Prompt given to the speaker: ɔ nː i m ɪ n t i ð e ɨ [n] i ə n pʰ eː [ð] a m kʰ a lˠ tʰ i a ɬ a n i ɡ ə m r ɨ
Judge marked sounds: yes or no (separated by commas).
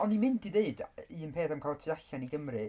no, no